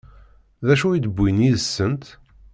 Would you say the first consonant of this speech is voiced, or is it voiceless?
voiced